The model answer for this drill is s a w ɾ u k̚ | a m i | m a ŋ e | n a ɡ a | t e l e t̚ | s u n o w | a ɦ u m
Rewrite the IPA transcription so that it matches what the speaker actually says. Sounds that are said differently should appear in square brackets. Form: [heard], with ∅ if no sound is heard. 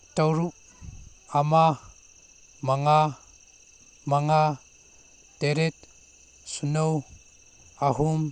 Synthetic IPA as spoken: [t] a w ɾ u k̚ | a m [a] | m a ŋ [a] | [m] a [ŋ] a | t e [ɾ] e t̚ | s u n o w | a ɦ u m